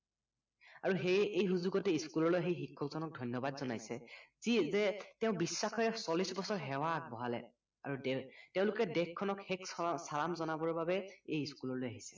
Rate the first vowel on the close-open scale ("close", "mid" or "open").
open